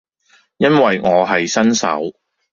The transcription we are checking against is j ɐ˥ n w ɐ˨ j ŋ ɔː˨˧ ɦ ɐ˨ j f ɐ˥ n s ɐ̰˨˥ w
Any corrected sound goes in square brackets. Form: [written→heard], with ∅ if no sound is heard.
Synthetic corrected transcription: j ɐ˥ n w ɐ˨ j ŋ ɔː˨˧ ɦ ɐ˨ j [f→s] ɐ˥ n s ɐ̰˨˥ w